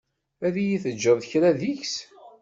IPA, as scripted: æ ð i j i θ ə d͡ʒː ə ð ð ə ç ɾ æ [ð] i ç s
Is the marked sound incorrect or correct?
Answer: correct